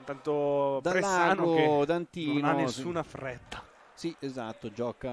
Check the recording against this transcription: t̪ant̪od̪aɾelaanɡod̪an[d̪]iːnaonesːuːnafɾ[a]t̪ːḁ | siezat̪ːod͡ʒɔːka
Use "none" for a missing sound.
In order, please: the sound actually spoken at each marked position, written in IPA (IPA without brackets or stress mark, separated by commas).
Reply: t̪, ɛ